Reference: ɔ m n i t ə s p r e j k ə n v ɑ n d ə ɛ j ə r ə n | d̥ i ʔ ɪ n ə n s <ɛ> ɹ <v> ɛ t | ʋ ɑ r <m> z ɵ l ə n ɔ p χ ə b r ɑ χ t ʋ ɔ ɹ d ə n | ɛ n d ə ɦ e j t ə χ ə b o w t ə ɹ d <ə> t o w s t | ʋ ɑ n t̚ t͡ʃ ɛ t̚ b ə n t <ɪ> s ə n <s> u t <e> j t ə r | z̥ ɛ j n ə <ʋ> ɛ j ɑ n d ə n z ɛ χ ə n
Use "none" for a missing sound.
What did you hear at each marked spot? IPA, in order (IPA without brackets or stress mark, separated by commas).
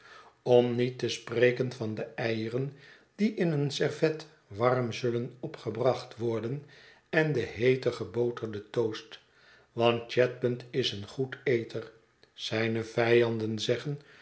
ɛ, v, m, ə, ɪ, χ, e, v